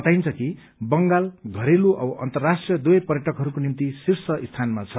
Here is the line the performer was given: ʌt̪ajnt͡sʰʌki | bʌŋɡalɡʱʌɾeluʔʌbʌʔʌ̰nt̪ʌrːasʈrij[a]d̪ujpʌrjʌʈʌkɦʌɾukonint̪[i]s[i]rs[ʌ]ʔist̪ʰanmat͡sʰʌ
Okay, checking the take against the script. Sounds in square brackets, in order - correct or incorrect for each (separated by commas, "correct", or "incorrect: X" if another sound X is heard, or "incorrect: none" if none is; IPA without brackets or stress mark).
incorrect: ʌ, correct, correct, correct